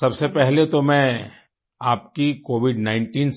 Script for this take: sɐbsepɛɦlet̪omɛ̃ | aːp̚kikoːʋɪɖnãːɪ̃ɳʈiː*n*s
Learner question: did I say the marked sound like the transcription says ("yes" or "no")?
yes